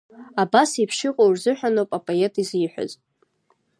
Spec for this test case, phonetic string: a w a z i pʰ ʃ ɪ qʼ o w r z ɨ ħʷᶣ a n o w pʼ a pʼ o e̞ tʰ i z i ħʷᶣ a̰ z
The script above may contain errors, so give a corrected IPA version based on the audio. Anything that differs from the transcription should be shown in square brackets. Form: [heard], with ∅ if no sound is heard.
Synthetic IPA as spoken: a [b] a [s] i pʰ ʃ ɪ qʼ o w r z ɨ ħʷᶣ a n o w pʼ a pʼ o e̞ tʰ i z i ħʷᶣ a̰ z